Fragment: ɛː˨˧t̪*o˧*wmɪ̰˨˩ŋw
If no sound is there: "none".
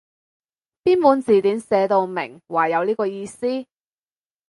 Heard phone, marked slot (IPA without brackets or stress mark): o˧